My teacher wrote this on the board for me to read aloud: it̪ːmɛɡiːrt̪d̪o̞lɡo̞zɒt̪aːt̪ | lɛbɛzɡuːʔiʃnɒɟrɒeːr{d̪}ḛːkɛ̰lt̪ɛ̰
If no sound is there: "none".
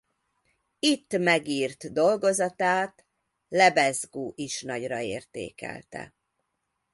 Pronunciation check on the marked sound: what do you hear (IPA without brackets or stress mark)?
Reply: t̪